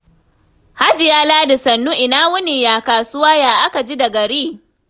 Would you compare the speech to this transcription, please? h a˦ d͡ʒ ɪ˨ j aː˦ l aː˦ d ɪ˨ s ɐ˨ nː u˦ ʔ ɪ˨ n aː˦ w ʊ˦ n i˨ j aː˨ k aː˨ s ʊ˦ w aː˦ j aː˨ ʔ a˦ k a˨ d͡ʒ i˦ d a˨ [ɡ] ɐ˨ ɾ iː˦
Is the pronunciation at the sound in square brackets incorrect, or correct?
correct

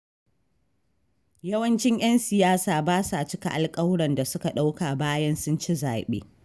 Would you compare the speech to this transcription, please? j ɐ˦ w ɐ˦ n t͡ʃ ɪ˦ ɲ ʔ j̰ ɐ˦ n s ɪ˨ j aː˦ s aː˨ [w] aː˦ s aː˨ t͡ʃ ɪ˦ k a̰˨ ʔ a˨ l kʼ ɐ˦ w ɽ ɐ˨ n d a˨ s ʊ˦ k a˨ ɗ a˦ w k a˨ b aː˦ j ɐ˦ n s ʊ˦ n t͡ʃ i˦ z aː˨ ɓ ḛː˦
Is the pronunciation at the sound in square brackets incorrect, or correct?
incorrect: b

